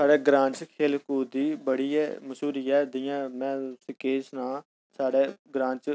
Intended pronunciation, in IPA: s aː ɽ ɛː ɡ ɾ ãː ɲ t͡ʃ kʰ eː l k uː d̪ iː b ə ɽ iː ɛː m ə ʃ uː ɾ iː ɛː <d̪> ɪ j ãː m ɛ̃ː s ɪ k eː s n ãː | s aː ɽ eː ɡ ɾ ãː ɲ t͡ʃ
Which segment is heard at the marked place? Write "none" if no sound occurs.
d̪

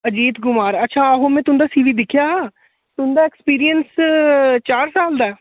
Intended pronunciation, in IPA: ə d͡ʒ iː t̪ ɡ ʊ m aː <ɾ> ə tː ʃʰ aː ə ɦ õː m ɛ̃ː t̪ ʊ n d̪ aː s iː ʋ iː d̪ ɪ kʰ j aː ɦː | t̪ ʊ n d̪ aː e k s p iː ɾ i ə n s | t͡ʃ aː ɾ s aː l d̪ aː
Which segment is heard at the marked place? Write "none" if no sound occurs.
ɾ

